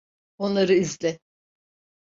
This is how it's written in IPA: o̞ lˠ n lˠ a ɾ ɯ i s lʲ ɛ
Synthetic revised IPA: o̞ n lˠ a ɾ ɯ i z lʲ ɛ